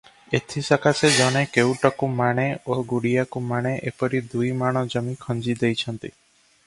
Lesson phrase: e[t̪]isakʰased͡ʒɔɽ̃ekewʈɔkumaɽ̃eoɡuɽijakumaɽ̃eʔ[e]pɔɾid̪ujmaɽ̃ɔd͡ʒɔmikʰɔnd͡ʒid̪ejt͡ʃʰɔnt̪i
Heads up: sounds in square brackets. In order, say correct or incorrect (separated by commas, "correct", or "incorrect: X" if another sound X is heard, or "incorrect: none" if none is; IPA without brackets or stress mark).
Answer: incorrect: t̪ʰ, correct